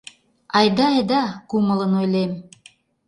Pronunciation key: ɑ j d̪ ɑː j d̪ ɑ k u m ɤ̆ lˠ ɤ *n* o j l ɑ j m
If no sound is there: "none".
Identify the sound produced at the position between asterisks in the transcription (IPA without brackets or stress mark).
n